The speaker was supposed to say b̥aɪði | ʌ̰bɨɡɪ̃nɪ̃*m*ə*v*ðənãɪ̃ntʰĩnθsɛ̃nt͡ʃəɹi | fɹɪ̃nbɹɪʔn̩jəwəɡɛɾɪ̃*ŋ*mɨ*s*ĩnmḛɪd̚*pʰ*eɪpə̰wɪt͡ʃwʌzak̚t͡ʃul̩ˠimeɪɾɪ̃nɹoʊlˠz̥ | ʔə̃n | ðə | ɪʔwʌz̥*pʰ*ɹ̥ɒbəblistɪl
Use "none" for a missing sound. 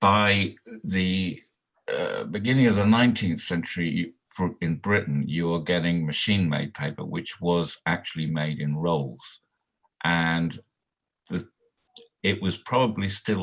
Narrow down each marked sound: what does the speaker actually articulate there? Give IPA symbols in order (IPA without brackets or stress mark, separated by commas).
ŋ, v, ŋ, ʃ, pʰ, pʰ